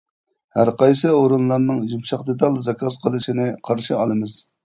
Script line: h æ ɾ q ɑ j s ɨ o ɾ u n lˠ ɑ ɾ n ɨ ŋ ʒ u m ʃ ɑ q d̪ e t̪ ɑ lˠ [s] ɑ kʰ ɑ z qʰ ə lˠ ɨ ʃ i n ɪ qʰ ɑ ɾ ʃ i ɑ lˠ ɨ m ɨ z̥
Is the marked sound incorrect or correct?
incorrect